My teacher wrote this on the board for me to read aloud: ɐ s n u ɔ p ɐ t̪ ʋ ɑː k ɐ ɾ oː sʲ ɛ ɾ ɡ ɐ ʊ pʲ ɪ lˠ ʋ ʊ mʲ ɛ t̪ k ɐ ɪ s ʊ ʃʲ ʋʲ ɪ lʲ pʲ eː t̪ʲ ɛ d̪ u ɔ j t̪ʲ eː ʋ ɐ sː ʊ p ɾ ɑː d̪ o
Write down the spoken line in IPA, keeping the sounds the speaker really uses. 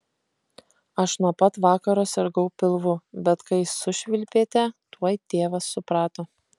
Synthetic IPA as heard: ɐ ʃ n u ɔ p ɐ t̪ ʋ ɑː k ɐ ɾ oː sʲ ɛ ɾ ɡ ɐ ʊ pʲ ɪ lˠ ʋ ʊ bʲ ɛ t̪ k ɐ ɪ s ʊ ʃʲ ʋʲ ɪ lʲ pʲ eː t̪ʲ ɛ t̪ u ɔ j t̪ʲ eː ʋ ɐ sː ʊ p ɾ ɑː t̪ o